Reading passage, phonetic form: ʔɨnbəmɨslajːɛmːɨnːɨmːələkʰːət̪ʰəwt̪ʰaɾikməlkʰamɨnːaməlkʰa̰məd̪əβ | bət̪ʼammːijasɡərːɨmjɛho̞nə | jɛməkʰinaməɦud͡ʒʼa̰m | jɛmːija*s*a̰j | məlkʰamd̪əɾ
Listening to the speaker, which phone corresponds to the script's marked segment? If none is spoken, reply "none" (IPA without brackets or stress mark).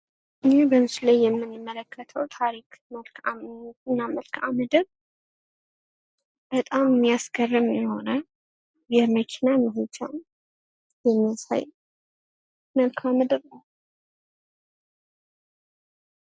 s